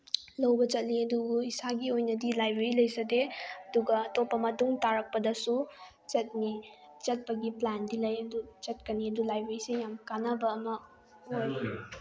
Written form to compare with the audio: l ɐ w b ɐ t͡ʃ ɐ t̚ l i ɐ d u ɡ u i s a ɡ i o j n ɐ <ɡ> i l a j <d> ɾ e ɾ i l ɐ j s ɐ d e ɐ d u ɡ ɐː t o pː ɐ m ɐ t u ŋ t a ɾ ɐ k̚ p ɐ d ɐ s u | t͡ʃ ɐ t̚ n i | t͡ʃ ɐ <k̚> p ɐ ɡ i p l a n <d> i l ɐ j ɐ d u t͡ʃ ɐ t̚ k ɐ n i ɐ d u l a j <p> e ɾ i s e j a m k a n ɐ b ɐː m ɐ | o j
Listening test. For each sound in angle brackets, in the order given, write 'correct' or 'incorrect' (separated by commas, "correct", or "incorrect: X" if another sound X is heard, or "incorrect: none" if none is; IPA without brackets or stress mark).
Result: incorrect: d, incorrect: b, incorrect: t̚, correct, incorrect: b